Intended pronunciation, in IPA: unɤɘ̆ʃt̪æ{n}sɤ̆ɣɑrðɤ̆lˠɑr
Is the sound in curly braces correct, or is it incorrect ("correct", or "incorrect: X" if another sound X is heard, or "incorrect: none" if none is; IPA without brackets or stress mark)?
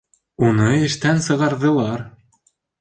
correct